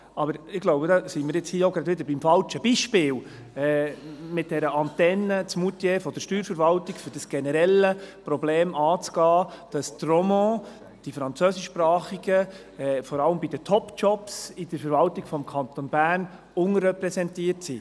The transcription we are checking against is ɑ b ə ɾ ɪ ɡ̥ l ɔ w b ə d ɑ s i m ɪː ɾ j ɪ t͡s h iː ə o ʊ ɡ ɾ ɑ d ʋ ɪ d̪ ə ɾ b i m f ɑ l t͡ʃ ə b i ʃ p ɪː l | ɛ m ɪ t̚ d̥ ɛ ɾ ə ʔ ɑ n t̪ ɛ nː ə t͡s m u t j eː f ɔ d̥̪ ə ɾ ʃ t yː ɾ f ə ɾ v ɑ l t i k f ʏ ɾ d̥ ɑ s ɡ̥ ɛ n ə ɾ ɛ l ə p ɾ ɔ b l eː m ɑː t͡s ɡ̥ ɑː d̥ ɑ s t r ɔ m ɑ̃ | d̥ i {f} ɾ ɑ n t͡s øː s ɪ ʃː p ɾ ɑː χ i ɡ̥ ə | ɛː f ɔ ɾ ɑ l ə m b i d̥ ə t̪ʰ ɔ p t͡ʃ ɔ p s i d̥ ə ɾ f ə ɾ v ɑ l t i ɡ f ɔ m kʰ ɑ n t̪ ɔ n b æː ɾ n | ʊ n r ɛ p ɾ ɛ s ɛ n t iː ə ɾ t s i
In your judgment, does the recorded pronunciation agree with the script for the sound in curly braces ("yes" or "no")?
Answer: yes